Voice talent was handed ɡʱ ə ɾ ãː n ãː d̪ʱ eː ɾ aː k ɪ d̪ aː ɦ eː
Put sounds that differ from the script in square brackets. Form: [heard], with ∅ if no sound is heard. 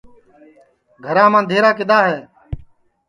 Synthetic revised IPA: ɡʱ ə ɾ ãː [m] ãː d̪ʱ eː ɾ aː k ɪ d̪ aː ɦ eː